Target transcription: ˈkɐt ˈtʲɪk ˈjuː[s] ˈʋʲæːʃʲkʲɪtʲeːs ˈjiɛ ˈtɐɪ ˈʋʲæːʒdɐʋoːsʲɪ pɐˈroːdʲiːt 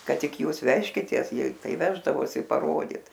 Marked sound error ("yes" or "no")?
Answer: no